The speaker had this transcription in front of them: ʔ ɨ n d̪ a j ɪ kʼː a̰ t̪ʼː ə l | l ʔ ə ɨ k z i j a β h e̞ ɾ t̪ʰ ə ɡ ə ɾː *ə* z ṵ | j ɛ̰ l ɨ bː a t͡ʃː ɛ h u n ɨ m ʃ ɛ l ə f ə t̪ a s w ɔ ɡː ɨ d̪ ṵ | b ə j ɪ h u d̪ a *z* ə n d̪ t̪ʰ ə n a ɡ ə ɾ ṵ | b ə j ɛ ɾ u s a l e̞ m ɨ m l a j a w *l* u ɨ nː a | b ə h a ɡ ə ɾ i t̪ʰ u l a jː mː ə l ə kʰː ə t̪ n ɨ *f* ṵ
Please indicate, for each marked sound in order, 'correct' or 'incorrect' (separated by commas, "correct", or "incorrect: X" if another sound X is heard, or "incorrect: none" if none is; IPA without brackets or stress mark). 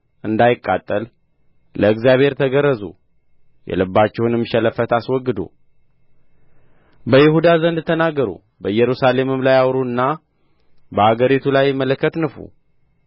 correct, correct, incorrect: ɾ, correct